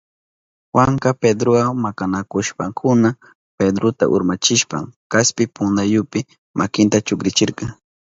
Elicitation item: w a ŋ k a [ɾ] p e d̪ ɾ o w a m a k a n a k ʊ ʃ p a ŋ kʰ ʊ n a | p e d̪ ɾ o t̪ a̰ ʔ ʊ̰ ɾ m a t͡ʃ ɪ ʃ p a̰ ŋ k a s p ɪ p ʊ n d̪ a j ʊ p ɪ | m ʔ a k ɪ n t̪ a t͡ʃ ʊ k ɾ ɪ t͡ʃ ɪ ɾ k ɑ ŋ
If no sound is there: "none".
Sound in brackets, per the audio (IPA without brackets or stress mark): none